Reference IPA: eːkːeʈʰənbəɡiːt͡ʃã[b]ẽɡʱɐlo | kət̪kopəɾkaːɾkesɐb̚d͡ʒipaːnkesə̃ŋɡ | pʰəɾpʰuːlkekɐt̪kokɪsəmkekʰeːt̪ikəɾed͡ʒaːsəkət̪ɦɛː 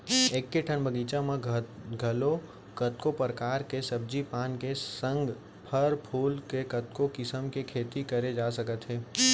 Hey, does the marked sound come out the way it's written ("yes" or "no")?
no